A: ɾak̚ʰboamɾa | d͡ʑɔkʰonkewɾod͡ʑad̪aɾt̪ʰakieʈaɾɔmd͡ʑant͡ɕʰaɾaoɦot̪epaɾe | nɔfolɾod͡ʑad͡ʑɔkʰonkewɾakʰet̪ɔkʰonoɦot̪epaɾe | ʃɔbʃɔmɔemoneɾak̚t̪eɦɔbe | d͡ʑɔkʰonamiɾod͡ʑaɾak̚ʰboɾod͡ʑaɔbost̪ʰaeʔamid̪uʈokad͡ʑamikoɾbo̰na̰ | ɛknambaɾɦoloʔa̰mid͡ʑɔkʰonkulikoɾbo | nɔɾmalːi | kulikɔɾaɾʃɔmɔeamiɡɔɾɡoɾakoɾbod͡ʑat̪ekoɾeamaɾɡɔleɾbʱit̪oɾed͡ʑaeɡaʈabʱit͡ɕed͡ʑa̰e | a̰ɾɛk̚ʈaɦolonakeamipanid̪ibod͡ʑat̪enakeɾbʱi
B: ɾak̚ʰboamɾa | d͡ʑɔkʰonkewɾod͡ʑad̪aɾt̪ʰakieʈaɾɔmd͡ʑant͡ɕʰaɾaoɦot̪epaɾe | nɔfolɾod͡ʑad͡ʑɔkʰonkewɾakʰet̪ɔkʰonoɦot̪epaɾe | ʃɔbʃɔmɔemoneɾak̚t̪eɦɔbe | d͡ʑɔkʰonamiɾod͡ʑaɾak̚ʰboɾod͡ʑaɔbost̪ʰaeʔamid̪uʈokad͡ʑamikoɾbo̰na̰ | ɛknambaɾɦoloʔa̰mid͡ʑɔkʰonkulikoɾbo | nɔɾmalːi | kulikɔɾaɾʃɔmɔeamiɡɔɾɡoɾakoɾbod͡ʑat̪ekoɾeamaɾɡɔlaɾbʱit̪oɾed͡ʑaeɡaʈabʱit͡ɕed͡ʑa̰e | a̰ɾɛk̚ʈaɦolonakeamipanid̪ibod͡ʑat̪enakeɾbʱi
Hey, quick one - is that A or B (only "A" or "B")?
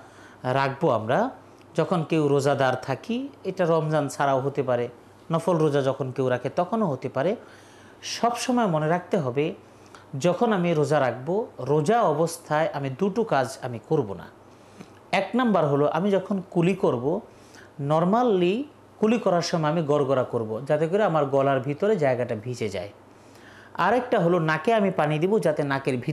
B